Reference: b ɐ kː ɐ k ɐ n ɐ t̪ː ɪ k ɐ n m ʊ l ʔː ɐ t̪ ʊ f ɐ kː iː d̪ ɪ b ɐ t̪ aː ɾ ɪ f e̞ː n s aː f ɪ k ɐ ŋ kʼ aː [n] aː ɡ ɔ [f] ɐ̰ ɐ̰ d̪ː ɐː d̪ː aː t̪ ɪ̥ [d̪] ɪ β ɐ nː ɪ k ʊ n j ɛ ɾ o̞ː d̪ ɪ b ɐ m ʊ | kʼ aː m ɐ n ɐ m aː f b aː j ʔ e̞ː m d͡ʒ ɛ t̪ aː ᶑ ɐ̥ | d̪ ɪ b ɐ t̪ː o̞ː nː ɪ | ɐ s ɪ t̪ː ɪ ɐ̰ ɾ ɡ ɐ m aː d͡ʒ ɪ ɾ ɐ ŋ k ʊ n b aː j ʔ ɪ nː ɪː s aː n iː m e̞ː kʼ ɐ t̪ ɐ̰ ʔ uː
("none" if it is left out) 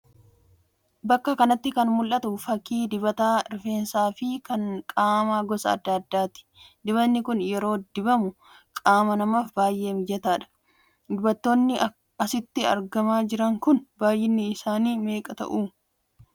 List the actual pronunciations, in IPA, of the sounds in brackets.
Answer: m, s, d̪

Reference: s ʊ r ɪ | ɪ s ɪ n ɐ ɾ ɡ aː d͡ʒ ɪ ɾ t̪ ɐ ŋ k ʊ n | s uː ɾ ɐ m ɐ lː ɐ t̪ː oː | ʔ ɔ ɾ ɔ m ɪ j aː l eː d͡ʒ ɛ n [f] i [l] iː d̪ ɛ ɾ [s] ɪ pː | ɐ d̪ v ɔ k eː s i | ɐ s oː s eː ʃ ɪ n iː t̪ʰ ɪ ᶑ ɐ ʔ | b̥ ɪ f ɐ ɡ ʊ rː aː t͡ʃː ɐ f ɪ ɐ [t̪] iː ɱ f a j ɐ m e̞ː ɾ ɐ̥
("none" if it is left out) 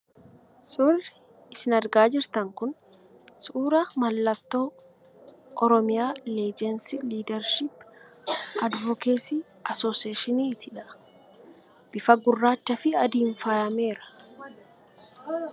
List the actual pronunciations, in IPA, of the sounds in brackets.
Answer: s, l, ʃ, d̪

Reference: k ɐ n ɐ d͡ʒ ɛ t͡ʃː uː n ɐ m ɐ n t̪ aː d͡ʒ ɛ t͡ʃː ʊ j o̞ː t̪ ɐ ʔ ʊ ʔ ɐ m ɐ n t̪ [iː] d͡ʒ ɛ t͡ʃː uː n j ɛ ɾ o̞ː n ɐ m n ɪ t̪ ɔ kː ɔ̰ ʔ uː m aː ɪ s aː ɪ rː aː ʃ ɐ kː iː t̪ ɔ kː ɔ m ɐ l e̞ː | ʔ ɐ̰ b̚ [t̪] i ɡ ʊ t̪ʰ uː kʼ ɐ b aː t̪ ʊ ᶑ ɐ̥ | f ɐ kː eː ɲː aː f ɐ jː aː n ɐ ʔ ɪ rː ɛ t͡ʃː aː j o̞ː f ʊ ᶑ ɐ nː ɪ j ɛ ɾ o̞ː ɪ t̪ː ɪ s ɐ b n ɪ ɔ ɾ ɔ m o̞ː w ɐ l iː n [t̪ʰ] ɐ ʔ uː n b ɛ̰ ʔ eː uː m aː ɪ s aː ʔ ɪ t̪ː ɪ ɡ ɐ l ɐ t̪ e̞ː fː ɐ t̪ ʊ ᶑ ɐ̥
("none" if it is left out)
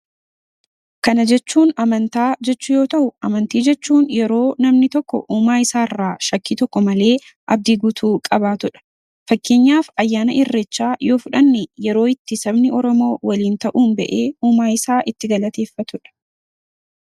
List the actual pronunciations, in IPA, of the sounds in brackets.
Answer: iː, d̪, t̪

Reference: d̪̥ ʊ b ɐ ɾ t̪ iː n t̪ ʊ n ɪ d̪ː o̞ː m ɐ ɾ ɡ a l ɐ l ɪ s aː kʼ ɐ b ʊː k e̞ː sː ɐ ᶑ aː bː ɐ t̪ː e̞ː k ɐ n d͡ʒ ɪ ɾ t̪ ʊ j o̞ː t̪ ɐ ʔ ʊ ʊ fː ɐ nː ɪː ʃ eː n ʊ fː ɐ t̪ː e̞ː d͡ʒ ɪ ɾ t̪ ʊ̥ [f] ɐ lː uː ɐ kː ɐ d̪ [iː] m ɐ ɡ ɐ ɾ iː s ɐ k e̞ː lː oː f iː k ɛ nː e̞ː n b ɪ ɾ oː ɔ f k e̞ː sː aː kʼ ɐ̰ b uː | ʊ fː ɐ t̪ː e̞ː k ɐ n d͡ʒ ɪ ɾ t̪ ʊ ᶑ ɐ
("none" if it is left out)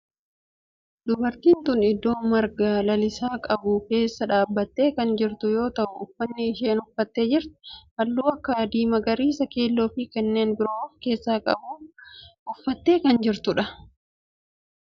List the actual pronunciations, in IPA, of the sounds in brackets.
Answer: h, iː

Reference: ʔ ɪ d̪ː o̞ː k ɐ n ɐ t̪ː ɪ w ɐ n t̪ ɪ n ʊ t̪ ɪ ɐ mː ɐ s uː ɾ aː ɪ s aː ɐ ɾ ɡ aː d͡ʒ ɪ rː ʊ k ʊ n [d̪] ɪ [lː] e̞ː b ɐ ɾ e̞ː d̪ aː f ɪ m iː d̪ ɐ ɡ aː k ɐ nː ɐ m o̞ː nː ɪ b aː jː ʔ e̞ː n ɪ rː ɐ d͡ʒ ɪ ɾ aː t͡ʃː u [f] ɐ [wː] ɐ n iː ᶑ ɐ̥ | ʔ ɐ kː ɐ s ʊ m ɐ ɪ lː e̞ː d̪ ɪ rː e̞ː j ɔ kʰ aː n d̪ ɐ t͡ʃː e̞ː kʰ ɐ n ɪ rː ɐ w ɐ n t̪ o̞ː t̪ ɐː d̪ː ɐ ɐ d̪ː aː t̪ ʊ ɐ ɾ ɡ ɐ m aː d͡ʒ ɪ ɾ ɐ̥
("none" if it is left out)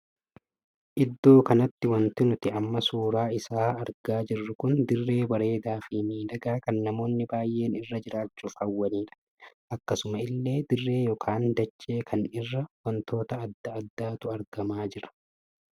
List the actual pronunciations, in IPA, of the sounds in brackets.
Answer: d̪, rː, f, wː

